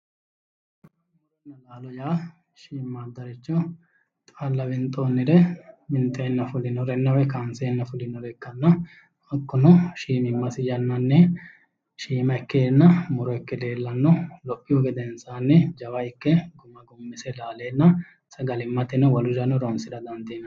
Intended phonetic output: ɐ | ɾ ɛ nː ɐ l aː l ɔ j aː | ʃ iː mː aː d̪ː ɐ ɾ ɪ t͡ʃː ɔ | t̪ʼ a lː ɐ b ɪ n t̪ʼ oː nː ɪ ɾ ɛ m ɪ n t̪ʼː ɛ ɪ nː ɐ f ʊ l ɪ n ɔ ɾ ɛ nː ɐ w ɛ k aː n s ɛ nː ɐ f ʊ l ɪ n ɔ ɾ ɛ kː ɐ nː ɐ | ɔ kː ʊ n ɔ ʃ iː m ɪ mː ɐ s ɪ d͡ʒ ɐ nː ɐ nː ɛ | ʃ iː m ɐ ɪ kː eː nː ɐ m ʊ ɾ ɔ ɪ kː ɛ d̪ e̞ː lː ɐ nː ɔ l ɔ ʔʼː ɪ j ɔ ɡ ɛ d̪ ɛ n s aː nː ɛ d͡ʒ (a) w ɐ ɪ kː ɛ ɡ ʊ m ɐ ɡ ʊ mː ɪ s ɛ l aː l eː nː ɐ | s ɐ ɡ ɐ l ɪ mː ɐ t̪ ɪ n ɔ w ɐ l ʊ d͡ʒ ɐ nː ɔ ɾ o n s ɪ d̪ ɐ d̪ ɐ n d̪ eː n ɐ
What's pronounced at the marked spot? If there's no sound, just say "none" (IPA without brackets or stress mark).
ɐ